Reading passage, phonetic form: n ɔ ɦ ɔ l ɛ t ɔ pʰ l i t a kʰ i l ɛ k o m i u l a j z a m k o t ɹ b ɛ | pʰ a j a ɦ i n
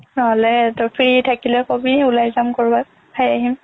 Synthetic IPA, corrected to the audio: n ɔ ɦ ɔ l ɛ t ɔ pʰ ɹ i tʰ a k i l ɛ k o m i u l a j z a m k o ɹ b a | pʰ a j a ɦ i m